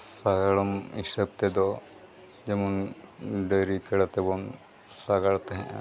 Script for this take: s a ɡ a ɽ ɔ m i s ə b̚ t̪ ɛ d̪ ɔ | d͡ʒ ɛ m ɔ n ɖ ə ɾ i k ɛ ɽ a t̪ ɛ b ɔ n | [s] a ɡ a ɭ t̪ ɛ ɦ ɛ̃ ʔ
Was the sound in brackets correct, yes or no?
yes